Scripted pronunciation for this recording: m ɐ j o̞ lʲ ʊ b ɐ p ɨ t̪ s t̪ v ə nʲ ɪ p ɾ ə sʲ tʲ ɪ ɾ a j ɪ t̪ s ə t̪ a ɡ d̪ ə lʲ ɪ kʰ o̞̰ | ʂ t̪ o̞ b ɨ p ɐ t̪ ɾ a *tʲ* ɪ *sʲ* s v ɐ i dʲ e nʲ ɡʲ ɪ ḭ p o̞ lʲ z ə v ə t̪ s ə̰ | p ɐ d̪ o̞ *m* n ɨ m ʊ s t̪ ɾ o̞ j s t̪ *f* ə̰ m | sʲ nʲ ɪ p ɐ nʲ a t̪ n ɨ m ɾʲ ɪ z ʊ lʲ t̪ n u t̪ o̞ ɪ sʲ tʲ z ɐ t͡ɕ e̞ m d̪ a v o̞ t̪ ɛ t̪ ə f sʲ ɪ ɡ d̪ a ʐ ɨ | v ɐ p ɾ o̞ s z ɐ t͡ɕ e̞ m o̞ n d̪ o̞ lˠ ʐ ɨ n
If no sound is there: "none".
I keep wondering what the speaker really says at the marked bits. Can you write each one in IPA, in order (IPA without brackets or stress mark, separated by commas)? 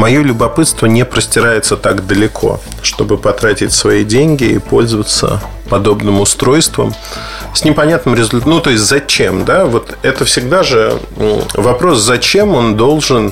tʲ, tʲ, b, v